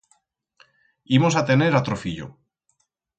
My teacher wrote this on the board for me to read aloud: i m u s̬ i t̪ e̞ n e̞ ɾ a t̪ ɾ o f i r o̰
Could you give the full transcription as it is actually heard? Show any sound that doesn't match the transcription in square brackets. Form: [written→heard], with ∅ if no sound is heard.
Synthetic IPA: i m [u→o] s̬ [i→a] t̪ e̞ n e̞ ɾ a t̪ ɾ o f i [r→ʎ] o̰